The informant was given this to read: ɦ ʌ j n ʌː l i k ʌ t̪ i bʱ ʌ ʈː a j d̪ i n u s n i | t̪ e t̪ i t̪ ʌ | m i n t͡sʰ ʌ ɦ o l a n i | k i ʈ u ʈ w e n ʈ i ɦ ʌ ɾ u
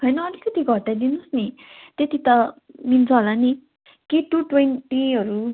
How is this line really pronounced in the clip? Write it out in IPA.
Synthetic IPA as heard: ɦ ʌ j n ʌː l i k ʌ t̪ i ɡʱ ʌ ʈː a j d̪ i n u s n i | t̪ e t̪ i t̪ ʌ | m i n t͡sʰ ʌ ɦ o l a n i | k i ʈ u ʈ w e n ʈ i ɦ ʌ ɾ u